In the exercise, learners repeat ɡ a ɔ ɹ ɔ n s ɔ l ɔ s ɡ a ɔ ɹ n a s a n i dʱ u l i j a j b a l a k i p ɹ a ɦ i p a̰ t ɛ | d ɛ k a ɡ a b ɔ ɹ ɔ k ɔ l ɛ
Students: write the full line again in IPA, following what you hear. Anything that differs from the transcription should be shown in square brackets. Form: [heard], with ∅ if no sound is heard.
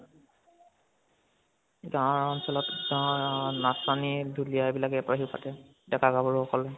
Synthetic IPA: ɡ a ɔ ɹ ɔ n s ɔ l ɔ [t] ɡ a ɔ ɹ n a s a n i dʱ u l i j a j b [i] l a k [ɛ] p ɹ a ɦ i p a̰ t ɛ | d ɛ k a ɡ a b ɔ ɹ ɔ k ɔ l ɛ